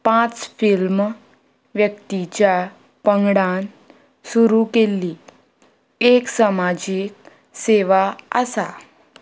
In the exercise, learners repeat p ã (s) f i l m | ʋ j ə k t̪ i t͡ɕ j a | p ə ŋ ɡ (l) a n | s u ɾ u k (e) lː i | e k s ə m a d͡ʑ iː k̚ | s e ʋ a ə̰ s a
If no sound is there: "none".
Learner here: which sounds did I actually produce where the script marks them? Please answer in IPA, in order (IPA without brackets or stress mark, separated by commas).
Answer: t͡s, ɽ, e